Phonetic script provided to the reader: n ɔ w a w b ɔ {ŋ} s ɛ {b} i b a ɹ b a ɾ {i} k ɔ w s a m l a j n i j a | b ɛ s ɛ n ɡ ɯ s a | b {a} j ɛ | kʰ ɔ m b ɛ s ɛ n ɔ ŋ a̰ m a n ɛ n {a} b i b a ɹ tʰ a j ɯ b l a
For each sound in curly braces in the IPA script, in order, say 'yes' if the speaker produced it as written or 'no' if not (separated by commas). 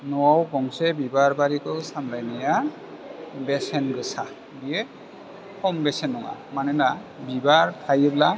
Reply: yes, yes, yes, no, yes